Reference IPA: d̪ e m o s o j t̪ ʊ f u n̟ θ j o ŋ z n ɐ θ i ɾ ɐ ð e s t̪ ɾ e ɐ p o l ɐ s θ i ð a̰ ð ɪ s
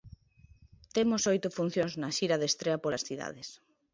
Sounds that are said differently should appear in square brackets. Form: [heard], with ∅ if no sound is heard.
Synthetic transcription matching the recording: [t̪] e m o s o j t̪ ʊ f u n̟ θ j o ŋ z n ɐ [ʃ] i ɾ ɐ ð e s t̪ ɾ e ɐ p o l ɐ s θ i ð a̰ ð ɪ s